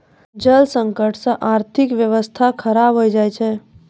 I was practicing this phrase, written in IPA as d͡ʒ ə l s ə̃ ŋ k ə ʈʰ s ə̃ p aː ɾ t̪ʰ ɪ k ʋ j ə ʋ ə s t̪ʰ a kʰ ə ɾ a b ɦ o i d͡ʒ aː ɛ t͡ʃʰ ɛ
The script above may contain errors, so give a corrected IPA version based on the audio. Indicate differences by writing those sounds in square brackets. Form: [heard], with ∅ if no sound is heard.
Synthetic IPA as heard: d͡ʒ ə l s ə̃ ŋ k ə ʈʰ s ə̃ [ʔ] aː ɾ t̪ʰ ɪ k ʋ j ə ʋ ə s t̪ʰ a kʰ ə ɾ a b ɦ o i d͡ʒ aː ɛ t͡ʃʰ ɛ